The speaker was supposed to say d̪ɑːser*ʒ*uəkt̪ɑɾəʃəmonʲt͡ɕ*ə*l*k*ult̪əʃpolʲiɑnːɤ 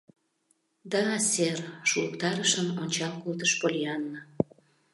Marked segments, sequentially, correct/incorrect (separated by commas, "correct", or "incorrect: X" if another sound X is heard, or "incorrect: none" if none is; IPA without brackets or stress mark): incorrect: ʃ, incorrect: ɑ, correct